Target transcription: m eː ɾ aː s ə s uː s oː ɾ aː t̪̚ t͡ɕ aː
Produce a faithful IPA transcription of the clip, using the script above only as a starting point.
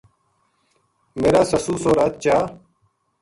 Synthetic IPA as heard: m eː ɾ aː s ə s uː s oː ɾ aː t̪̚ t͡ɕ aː

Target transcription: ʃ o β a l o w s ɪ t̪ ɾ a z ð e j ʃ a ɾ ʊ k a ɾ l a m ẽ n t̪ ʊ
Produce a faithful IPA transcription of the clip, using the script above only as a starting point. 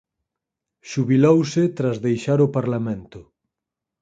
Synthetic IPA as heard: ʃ u β i l o w s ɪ t̪ ɾ a z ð e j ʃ a ɾ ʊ p a ɾ l a m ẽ n t̪ ʊ

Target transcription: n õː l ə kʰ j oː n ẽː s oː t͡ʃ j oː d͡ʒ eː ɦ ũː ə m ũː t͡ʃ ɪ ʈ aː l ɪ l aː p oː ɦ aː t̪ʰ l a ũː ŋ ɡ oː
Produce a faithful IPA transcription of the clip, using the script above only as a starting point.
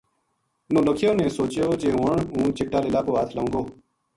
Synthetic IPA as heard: n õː l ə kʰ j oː n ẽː s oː t͡ʃ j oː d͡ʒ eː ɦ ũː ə ɳ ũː t͡ʃ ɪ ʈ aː l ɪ l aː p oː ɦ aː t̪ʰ l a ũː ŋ ɡ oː

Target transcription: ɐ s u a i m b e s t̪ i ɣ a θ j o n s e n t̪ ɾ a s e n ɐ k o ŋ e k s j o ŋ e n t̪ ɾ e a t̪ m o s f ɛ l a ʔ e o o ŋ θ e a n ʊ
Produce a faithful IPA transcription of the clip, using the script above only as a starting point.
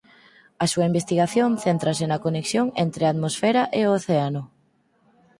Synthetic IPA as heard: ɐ s u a i m b e s t̪ i ɣ a θ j o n θ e n t̪ ɾ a s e n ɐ k o n e k s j o ŋ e n t̪ ɾ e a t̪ m o s f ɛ ɾ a ʔ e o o θ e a n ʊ

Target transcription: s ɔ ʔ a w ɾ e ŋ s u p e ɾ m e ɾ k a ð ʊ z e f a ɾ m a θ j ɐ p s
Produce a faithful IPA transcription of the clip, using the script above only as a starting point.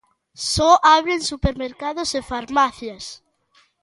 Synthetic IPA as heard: s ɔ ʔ a β ɾ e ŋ s u p e ɾ m e ɾ k a ð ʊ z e f a ɾ m a θ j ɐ s

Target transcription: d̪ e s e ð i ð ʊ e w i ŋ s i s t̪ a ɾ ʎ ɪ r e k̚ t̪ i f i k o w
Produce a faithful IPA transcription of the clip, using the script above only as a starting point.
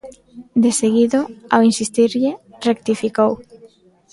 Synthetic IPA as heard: d̪ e s e ɣ i ð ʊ a w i n s i s t̪ i ɾ ʎ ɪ r e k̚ t̪ i f i k o w

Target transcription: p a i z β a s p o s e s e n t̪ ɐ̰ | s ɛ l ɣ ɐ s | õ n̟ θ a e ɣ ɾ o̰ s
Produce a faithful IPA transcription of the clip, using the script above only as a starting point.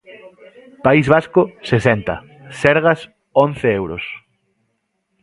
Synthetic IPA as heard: p a i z β a s k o s e s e n t̪ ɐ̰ | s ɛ ɾ ɣ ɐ s | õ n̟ θ e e w ɾ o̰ s

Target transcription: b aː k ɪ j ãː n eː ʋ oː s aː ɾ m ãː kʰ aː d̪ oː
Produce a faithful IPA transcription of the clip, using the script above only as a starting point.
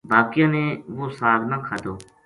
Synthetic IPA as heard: b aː k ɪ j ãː n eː ʋ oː s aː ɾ n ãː kʰ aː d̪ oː

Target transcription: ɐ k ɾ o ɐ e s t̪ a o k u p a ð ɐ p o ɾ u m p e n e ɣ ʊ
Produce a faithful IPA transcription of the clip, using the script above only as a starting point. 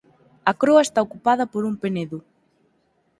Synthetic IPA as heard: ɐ k ɾ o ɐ e s t̪ a o k u p a ð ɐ p o ɾ u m p e n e ð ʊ

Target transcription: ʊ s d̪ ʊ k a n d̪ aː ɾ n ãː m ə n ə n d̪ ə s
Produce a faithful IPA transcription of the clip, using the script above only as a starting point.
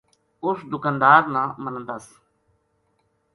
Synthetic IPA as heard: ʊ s d̪ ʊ k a n d̪ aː ɾ n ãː m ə n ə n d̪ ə s

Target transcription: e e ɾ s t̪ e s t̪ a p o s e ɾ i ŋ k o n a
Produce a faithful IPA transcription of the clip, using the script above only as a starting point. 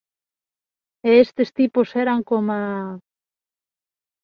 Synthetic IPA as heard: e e s t̪ e s t̪ i p o s e ɾ a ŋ k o m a

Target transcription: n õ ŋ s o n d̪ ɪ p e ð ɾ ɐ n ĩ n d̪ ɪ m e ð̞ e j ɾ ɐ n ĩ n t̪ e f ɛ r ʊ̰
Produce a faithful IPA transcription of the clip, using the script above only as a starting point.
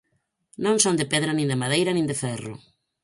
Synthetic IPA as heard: n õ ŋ s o n d̪ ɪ p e ð ɾ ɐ n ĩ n d̪ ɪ m a ð̞ e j ɾ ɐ n ĩ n d̪ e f ɛ r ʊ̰

